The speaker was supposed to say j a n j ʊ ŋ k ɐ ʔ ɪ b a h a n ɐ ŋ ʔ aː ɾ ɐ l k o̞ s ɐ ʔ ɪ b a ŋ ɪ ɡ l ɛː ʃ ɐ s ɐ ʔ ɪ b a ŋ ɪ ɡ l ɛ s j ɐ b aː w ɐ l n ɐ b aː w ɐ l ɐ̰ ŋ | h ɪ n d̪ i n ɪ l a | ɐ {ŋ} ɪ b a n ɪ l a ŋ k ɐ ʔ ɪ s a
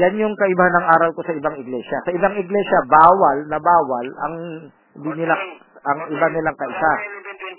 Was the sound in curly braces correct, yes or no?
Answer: yes